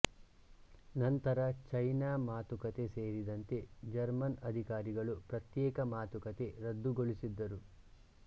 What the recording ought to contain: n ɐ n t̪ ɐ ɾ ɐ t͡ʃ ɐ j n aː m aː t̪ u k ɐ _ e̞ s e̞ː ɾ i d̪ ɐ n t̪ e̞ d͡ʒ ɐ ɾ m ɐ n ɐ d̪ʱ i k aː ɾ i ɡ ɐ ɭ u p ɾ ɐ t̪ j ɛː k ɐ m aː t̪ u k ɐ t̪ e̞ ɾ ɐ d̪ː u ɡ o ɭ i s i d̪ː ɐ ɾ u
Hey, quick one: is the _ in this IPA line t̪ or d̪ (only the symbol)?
t̪